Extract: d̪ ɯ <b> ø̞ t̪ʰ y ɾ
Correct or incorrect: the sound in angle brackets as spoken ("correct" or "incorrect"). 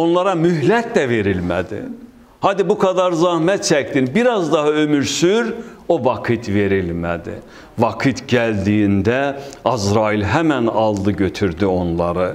incorrect